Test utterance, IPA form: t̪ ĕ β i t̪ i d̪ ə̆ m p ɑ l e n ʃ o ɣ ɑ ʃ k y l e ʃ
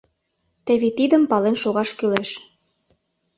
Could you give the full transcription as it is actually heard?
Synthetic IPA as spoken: t̪ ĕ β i t̪ i d̪ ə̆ m p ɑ l e n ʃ o ɣ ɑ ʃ k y l e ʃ